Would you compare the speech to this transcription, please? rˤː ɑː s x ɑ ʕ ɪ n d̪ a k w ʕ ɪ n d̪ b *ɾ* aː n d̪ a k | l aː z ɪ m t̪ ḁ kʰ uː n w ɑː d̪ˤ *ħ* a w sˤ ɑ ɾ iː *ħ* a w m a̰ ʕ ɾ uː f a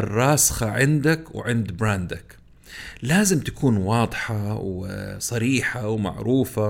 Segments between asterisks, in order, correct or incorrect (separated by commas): correct, correct, correct